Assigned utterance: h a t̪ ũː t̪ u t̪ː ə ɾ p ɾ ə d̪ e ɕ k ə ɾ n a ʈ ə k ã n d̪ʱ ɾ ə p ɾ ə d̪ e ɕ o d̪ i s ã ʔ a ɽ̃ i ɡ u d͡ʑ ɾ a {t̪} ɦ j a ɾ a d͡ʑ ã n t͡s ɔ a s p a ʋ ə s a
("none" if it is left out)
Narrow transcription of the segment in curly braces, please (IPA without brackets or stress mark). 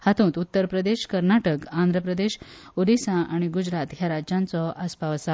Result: t̪